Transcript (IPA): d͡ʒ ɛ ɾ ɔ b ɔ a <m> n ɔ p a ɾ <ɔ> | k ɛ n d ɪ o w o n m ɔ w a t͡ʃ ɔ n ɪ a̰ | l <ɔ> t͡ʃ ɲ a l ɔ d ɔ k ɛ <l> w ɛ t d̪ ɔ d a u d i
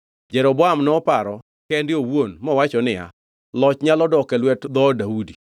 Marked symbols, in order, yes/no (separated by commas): yes, yes, yes, yes